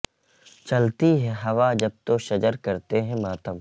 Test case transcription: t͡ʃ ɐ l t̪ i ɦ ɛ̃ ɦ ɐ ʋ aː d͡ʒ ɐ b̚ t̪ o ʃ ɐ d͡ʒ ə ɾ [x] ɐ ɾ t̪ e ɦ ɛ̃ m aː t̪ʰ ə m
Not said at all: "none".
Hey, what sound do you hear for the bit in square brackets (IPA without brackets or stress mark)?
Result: k